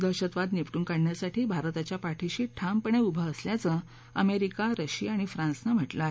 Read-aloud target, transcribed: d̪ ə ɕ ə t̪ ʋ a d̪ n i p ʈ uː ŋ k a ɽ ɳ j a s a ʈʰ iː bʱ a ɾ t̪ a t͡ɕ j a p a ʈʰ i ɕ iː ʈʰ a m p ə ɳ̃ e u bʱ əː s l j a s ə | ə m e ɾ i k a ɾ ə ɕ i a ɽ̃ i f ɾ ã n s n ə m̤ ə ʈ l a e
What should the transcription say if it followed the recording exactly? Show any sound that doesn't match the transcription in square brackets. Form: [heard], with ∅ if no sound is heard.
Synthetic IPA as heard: d̪ ə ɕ ə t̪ ʋ a d̪ n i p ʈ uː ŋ k a ɽ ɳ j a s a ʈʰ iː bʱ a ɾ t̪ a t͡ɕ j a p a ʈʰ i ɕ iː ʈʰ a m p ə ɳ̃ e u bʱ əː s l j a [t͡s] ə | ə m e ɾ i k a ɾ ə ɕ i a ɽ̃ i f ɾ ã n s n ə m̤ ə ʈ l a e